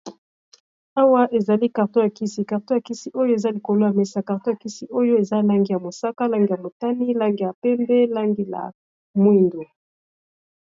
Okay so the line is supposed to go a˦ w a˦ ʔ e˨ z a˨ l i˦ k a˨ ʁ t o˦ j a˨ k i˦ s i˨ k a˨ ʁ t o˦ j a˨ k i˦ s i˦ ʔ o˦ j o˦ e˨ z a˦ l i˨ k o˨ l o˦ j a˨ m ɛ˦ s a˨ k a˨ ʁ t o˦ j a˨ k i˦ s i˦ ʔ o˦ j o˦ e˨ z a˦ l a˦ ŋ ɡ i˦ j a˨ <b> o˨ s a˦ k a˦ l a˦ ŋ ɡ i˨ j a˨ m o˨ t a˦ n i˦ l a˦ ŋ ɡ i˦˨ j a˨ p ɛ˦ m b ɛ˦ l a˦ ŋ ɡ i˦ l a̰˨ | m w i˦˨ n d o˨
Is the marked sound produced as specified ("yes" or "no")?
no